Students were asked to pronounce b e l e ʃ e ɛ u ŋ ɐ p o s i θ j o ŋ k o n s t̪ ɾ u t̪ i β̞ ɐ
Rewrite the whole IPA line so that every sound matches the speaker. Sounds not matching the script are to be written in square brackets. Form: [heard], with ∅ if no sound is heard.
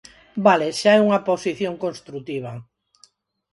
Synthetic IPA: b [a] l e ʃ [a] ɛ u ŋ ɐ p o s i θ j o ŋ k o n s t̪ ɾ u t̪ i β̞ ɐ